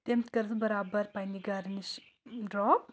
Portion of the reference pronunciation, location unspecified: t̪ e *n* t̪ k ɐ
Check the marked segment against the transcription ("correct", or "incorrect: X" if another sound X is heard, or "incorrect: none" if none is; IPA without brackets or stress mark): incorrect: m